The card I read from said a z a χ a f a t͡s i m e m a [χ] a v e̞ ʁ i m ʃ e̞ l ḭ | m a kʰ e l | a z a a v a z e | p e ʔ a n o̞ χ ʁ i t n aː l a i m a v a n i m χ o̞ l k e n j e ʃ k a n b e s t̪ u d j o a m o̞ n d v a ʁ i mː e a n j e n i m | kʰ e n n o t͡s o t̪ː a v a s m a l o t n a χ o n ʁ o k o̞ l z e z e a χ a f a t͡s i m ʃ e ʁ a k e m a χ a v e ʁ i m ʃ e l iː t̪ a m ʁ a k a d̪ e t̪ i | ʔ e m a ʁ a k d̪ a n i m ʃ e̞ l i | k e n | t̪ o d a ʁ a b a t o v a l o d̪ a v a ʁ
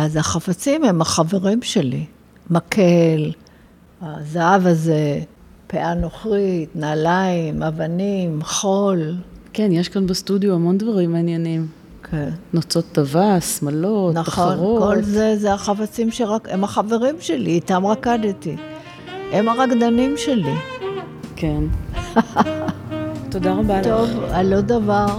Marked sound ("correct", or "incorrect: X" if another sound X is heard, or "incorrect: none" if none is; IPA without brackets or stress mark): correct